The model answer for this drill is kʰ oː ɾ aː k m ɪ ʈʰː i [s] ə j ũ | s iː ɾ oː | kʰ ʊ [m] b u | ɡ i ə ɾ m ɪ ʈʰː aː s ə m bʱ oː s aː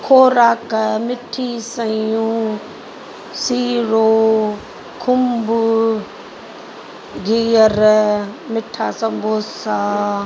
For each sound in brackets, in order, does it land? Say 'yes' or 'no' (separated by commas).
yes, yes